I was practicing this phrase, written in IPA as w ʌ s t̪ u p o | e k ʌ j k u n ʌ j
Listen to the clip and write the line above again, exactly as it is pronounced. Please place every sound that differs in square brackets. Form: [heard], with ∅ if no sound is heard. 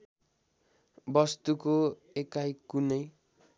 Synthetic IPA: [b] ʌ s t̪ u [k] o | e k [a] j k u n ʌ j